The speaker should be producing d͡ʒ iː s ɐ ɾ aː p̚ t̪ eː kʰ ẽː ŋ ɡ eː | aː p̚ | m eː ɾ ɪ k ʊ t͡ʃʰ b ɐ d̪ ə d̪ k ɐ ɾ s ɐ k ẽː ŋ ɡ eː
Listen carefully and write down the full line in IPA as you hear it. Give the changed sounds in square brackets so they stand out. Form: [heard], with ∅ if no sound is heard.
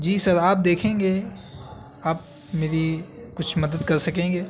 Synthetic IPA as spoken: d͡ʒ iː s ɐ ɾ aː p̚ [d̪] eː kʰ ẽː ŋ ɡ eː | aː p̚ | m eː ɾ [i] k ʊ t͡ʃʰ [m] ɐ d̪ ə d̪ k ɐ ɾ s ɐ k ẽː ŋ ɡ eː